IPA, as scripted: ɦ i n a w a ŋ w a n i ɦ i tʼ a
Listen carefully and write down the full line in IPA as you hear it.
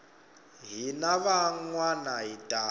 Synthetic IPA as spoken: ɦ i n a β a ŋ w a n a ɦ i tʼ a